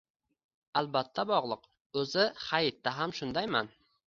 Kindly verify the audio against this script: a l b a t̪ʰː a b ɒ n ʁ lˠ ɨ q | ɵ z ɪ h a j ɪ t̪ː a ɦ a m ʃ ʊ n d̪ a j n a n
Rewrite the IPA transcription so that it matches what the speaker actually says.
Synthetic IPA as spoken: a l b a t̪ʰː a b ɒ ʁ lˠ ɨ q | ɵ z ɪ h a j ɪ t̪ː a ɦ a m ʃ ʊ n d̪ a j m a n